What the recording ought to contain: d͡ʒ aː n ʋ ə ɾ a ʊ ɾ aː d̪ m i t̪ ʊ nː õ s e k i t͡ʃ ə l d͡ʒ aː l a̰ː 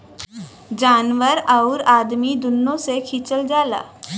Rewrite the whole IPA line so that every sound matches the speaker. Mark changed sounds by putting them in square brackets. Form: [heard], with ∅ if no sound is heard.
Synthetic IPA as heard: d͡ʒ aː n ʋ ə ɾ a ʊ ɾ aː d̪ m i [d̪] ʊ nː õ s e [kʰ] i t͡ʃ ə l d͡ʒ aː l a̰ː

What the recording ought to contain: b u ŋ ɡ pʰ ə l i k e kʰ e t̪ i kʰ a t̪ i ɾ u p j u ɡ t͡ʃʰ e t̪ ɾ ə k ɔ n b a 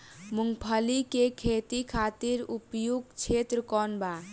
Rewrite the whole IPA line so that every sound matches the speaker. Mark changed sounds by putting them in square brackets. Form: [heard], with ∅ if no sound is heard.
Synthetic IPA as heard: [m] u ŋ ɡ pʰ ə l i k e kʰ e t̪ i kʰ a t̪ i ɾ u p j u ɡ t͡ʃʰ e t̪ ɾ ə k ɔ n b a

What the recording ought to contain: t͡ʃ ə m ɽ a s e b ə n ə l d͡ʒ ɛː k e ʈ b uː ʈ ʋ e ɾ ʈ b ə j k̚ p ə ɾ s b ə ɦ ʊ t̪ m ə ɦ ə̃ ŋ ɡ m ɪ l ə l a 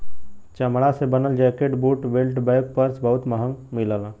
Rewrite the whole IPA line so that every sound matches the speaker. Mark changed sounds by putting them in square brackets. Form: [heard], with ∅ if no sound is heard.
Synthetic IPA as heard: t͡ʃ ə m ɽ a s e b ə n ə l d͡ʒ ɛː k e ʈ b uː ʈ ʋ e [l] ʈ b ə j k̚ p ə ɾ s b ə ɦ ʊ t̪ m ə ɦ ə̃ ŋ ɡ m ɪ l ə l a

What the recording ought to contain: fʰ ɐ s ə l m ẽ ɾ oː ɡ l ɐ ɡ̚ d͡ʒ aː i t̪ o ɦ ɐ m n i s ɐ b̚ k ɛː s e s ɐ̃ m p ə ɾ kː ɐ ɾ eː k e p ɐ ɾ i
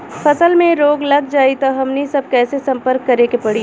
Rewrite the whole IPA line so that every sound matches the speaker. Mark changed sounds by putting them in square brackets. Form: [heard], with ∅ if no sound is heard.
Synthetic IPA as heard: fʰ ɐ s ə l m ẽ ɾ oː ɡ l ɐ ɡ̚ d͡ʒ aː i t̪ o ɦ ɐ m n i s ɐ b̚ k ɛː s e s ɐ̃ m p ə ɾ kː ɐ ɾ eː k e p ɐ [ɽ] i

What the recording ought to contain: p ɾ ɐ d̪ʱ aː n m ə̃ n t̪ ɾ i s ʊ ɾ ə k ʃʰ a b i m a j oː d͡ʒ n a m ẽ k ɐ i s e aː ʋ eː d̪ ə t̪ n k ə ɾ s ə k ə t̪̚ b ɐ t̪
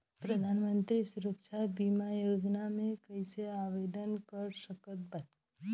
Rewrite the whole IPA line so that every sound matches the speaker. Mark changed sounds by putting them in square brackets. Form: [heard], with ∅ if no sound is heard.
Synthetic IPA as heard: p ɾ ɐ d̪ʱ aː n m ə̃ n t̪ ɾ i s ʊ ɾ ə k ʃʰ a b i m a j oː d͡ʒ n a m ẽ k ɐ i s e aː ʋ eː d̪ ə [∅] n k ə ɾ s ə k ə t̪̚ b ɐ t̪

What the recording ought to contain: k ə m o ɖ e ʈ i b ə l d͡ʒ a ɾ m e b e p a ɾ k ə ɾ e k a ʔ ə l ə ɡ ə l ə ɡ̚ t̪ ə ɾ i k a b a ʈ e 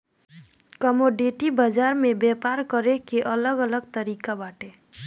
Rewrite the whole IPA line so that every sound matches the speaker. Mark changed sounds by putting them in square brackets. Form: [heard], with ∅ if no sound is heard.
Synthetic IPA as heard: k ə m o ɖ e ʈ i b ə [∅] d͡ʒ a ɾ m e b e p a ɾ k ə ɾ e k [e] ʔ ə l ə ɡ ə l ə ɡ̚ t̪ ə ɾ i k a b a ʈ e

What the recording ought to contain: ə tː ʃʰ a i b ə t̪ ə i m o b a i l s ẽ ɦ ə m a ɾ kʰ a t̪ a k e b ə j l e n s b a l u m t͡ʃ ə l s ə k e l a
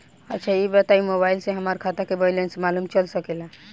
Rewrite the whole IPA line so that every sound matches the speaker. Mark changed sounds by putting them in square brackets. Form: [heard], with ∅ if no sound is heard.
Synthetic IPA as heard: ə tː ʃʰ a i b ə t̪ [a] i m o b a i l s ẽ ɦ ə m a ɾ kʰ a t̪ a k e b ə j l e n s [m] a l u m t͡ʃ ə l s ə k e l a

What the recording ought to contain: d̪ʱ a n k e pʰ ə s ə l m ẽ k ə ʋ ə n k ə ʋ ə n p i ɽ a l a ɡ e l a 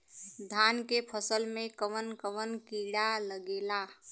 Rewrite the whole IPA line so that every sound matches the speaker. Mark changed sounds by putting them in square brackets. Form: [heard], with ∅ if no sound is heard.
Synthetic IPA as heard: d̪ʱ a n k e pʰ ə s ə l m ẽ k ə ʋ ə n k ə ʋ ə n [k] i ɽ a l [ə] ɡ e l a

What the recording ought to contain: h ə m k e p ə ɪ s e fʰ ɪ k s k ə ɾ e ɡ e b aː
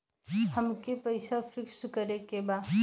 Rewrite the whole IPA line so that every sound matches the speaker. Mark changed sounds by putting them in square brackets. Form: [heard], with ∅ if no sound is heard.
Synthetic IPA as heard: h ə m k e p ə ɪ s [a] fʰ ɪ k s k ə ɾ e [k] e b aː

